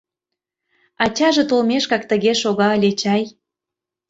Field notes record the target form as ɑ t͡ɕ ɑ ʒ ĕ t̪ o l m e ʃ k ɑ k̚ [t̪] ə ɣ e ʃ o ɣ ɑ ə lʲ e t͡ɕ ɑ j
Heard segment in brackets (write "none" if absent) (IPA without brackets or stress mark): t̪